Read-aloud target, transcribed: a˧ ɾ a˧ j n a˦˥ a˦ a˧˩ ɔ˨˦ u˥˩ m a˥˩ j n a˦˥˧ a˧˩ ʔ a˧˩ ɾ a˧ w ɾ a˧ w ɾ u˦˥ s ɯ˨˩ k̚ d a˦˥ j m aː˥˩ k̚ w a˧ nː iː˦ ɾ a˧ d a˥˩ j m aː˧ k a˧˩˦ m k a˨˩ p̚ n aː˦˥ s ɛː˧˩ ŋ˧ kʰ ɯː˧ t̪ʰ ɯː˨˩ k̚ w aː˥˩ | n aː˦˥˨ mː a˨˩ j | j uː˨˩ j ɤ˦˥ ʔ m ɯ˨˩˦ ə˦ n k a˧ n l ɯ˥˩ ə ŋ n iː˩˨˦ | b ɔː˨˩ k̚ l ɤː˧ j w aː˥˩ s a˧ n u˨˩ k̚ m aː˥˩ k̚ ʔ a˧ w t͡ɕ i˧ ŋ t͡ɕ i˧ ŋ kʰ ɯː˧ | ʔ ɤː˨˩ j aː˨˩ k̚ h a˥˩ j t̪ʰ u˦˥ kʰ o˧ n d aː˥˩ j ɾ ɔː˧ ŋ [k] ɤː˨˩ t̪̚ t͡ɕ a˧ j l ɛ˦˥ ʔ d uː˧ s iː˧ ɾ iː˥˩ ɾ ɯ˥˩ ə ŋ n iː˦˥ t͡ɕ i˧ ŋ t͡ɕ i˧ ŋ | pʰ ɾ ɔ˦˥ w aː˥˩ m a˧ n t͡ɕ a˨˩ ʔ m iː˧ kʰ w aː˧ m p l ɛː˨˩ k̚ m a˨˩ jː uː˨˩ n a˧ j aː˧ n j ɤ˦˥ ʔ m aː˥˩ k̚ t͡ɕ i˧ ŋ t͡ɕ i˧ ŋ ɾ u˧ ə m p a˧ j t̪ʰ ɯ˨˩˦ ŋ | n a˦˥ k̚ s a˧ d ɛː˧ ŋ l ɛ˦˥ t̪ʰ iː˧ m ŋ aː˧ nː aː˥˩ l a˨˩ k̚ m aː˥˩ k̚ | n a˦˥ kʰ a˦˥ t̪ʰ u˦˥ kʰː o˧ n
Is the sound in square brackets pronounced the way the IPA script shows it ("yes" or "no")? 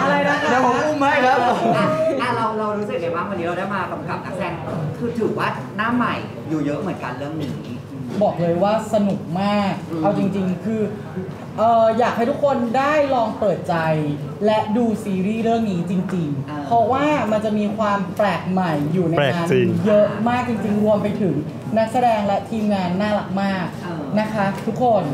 no